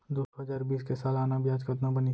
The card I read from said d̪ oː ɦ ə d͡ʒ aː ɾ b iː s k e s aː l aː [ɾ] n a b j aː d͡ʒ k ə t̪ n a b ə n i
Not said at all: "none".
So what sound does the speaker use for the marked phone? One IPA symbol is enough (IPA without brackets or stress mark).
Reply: none